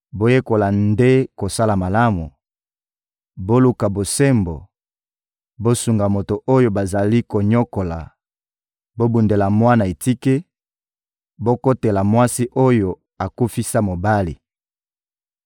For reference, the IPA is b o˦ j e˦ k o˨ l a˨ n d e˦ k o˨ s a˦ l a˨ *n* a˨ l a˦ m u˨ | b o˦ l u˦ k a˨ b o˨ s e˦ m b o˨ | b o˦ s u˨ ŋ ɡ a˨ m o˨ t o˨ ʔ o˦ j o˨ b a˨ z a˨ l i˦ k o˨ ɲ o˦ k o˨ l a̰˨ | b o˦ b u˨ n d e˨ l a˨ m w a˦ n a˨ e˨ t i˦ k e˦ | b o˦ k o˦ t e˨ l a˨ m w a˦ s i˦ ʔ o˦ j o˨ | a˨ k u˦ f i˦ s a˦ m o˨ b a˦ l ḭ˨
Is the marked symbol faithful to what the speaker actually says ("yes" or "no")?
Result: no